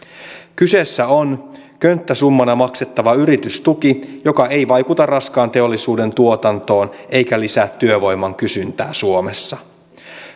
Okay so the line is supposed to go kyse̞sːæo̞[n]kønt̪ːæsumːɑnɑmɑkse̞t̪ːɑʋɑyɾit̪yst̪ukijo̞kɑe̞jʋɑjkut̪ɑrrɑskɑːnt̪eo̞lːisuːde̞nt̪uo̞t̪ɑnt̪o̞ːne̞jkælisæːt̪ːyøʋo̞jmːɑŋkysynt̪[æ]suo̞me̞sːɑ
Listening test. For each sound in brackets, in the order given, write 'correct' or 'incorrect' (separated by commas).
correct, incorrect